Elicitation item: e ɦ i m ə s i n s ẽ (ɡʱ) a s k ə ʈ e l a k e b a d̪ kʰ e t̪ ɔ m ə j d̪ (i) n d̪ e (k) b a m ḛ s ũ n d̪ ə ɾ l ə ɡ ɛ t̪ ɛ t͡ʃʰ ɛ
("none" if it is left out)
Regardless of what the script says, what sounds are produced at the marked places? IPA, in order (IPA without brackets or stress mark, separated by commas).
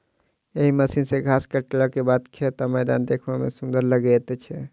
ɡʱ, a, kʰ